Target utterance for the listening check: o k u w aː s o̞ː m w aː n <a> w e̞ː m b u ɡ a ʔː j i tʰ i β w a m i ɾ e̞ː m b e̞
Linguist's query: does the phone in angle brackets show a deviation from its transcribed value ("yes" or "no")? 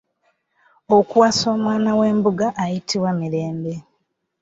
no